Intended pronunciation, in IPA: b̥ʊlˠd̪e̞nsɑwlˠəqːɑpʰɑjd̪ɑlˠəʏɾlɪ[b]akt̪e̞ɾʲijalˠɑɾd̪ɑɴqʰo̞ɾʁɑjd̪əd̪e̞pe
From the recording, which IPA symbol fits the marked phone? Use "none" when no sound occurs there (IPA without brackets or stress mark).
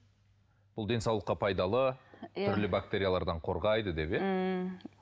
b